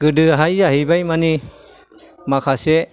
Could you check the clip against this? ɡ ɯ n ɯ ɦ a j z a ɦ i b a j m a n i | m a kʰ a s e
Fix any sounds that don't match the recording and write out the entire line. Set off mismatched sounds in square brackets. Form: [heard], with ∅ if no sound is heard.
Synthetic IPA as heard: ɡ ɯ [d] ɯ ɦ a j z a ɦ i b a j m a n i | m a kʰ a s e